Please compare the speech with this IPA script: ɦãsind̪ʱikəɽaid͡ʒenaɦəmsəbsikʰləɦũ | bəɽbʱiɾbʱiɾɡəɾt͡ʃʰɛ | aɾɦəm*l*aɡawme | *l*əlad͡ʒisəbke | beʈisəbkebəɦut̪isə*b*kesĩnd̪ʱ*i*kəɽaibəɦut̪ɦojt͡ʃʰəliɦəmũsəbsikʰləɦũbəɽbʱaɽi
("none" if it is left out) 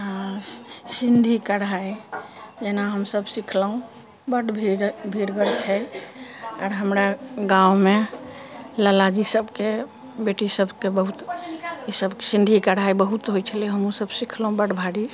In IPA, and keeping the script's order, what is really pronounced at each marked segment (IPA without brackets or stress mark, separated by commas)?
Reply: ɾ, l, b, i